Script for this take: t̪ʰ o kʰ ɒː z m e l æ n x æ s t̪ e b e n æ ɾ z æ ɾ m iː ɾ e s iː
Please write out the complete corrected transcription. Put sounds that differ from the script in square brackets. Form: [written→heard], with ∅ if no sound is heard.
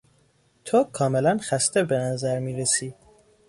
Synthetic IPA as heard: t̪ʰ o kʰ ɒː [z→∅] m e l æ n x æ s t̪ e b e n æ [ɾ→∅] z æ ɾ m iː ɾ e s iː